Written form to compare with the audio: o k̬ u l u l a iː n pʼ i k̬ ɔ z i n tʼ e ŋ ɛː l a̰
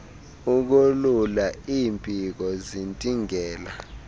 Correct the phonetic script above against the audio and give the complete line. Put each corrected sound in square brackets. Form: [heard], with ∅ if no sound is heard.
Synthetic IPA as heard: [u] k̬ u l u l a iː [m] pʼ i k̬ ɔ z i n tʼ [i] ŋ ɛː l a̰